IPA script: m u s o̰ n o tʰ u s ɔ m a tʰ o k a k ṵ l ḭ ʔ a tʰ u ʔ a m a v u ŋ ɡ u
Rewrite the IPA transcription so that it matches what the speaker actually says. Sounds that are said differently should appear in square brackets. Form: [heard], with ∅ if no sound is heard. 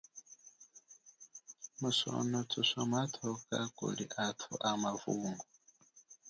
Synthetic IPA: m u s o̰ n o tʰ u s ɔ m a tʰ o k a k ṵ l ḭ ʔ a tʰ u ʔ a m a v u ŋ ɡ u